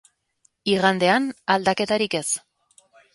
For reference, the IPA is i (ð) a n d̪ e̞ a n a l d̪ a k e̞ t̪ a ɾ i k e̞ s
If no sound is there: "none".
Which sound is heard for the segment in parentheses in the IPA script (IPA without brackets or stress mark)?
ɣ